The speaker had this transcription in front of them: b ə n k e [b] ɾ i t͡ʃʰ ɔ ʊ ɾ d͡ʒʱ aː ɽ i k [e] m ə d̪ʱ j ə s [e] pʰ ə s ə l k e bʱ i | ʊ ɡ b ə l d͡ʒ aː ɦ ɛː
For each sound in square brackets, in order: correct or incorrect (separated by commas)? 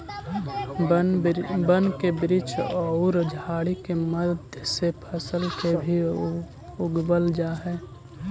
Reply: correct, correct, correct